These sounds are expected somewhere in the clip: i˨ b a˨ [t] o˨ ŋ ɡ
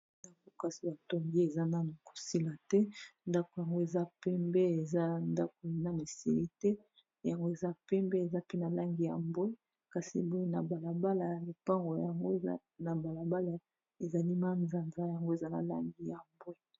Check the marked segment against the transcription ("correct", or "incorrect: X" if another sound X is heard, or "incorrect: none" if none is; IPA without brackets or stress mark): correct